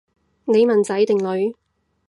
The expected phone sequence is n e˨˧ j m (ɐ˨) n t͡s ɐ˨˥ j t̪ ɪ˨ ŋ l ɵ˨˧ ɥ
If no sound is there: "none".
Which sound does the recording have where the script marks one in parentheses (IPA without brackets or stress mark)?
ɐ˨